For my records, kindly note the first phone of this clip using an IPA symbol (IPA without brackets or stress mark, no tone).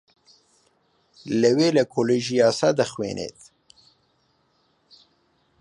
l